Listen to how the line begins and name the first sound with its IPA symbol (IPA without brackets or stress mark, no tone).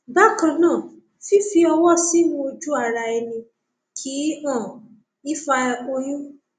b